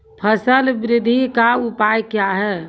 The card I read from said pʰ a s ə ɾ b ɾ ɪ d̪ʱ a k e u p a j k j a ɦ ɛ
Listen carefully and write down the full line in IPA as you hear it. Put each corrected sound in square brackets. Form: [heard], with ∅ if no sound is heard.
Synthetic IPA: pʰ [ə] s ə [l] b ɾ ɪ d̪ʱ [i] k [a] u p a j k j a ɦ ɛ